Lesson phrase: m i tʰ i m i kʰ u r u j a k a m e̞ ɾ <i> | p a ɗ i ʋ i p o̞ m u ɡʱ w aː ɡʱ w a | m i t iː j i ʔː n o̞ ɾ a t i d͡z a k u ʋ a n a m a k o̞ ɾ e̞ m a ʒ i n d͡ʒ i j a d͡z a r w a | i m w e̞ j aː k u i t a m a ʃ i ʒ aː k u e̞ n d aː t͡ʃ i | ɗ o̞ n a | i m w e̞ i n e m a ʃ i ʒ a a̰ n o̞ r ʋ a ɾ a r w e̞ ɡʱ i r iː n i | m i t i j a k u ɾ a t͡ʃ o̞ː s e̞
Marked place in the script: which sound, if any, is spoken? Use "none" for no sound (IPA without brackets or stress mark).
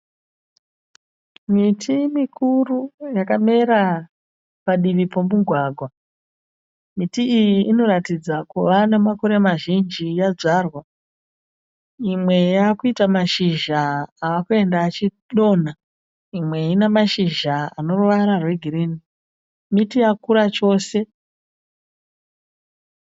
a